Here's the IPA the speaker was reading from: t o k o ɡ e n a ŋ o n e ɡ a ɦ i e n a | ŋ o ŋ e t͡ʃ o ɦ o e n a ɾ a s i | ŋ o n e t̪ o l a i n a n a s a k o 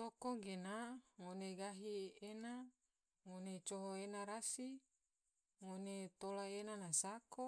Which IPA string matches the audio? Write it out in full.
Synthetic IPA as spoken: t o k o ɡ e n a ŋ o n e ɡ a ɦ i e n a | ŋ o n e t͡ʃ o ɦ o e n a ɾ a s i | ŋ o n e t̪ o l a e n a n a s a k o